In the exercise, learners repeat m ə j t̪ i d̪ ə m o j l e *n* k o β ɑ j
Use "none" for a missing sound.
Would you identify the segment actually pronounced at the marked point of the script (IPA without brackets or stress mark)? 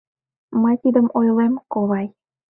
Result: m